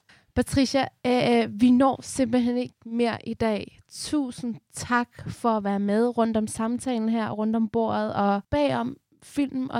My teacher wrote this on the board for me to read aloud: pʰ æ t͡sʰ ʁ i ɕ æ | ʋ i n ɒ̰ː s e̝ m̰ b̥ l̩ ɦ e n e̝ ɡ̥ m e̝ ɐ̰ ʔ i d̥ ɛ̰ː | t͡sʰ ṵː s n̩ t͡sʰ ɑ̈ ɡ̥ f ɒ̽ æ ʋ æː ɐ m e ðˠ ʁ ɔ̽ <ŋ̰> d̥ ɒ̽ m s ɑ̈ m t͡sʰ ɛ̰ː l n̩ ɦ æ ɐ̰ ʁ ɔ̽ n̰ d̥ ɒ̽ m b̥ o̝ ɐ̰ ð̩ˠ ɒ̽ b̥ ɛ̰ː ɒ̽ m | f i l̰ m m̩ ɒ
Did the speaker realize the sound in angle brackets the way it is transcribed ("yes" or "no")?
no